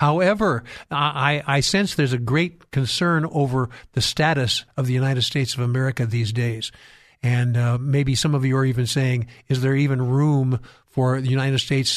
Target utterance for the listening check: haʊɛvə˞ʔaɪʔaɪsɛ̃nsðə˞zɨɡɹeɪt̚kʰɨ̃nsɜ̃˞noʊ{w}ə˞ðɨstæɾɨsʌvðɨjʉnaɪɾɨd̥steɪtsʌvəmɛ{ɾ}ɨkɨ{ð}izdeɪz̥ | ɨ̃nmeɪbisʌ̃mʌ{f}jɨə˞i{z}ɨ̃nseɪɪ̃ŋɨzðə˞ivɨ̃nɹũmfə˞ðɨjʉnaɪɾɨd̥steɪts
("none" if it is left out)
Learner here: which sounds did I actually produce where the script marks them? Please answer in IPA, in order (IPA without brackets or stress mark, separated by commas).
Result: v, ɹ, ð, v, v